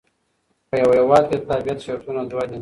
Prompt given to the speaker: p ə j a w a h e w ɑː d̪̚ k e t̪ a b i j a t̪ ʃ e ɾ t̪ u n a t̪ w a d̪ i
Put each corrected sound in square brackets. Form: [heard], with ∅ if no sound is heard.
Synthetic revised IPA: p ə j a w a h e w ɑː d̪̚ k e t̪ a b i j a t̪ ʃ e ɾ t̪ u n a [d̪] w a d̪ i